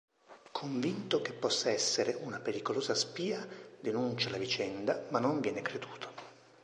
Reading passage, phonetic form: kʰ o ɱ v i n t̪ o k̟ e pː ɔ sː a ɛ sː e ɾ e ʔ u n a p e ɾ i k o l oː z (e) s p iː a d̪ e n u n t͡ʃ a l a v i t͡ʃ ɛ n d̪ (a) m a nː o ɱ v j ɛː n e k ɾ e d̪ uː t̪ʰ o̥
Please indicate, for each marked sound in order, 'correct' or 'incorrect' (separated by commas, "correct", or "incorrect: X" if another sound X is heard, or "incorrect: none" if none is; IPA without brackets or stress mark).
incorrect: a, correct